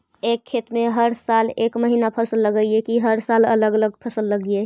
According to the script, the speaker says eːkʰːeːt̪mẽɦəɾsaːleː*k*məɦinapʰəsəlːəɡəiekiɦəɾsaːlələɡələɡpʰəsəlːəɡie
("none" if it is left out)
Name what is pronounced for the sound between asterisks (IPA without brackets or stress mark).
k